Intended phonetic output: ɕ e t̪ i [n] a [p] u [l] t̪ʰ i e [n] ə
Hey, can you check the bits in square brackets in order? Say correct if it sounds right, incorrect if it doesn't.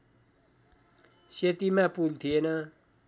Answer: incorrect: m, correct, correct, correct

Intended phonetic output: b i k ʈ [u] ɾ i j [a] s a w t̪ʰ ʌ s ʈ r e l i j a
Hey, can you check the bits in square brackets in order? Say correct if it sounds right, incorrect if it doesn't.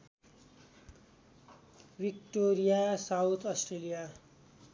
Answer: incorrect: o, correct

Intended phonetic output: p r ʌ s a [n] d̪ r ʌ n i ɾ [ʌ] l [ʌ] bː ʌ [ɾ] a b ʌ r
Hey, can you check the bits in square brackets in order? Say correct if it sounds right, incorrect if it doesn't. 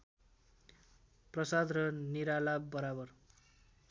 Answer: incorrect: none, incorrect: a, incorrect: a, correct

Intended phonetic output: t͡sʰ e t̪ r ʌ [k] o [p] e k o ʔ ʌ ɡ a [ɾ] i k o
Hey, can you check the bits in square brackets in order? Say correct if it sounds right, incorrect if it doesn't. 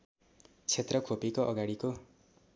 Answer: incorrect: kʰ, correct, incorrect: ɽ

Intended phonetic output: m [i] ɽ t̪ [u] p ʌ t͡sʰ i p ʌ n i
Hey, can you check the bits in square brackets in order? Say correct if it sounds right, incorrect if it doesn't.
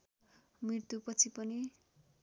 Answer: correct, correct

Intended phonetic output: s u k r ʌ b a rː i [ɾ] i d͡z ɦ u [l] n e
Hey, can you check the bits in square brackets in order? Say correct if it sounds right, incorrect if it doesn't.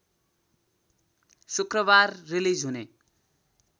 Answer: incorrect: l, incorrect: none

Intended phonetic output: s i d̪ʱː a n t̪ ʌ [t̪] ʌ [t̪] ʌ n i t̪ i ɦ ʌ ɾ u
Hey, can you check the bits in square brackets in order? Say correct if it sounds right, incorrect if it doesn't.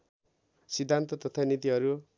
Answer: correct, incorrect: t̪ʰ

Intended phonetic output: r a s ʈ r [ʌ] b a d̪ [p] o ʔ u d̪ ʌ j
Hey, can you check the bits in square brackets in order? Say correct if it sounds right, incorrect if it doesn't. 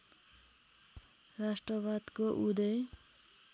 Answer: correct, incorrect: k

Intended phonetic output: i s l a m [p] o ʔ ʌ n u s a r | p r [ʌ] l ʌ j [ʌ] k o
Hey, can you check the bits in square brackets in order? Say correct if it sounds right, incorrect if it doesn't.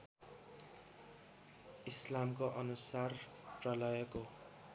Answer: incorrect: k, correct, correct

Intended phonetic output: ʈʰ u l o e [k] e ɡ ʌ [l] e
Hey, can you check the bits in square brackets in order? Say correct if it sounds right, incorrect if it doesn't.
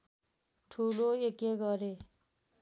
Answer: correct, incorrect: ɾ

